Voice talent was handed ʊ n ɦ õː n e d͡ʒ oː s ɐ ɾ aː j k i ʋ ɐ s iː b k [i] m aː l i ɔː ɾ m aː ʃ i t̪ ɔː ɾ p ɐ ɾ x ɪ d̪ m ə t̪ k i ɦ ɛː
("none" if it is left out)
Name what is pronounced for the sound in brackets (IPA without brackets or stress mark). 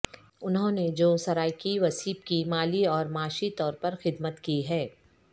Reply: i